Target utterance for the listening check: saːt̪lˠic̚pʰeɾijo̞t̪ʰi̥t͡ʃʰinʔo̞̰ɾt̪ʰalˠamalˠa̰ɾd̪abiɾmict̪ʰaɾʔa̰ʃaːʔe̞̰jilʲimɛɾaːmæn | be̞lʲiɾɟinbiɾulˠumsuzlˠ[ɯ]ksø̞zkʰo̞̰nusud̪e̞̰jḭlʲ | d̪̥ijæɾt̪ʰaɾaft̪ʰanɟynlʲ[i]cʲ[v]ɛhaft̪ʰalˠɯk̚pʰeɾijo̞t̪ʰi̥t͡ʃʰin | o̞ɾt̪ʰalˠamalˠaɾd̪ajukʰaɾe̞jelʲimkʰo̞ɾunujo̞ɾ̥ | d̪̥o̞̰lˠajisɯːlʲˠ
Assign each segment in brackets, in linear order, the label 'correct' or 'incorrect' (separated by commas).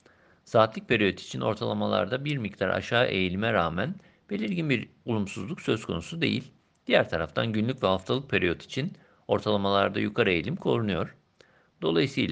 incorrect, incorrect, correct